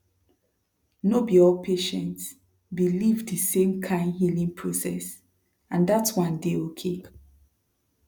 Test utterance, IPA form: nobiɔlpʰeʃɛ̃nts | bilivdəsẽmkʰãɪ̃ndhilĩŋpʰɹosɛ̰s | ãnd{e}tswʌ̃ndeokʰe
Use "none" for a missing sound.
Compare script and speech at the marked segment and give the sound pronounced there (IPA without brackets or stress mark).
a